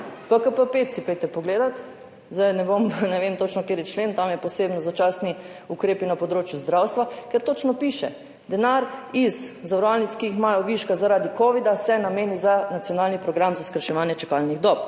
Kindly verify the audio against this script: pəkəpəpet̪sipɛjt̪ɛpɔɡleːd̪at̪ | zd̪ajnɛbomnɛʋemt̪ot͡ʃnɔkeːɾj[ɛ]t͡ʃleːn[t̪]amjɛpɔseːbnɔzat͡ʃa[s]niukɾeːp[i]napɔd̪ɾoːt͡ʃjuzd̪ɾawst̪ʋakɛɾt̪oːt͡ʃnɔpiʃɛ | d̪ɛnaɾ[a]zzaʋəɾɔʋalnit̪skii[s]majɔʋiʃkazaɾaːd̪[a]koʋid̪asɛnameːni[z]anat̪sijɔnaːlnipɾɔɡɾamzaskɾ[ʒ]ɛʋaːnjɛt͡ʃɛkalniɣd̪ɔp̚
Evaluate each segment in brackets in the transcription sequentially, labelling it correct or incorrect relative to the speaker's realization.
correct, correct, correct, correct, incorrect, incorrect, incorrect, correct, incorrect

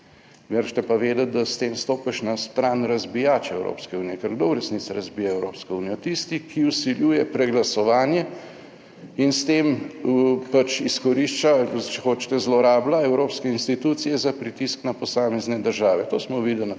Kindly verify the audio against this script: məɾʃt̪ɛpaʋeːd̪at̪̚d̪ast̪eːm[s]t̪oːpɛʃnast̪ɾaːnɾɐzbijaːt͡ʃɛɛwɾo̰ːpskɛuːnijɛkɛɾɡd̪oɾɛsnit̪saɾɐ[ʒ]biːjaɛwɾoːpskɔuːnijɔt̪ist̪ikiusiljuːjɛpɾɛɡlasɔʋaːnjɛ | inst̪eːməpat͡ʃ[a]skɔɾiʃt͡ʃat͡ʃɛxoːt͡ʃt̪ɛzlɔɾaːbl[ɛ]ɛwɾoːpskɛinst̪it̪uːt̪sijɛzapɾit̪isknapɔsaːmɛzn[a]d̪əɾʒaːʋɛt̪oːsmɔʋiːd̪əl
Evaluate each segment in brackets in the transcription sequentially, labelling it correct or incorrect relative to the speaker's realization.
correct, incorrect, incorrect, incorrect, incorrect

